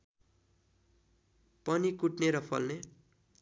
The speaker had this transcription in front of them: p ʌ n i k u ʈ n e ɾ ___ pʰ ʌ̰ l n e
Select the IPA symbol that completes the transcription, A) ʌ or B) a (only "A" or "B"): A